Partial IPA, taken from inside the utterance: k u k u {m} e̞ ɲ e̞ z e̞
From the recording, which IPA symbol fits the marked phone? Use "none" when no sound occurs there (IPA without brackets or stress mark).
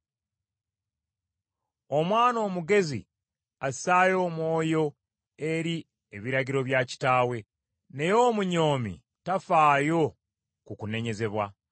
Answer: n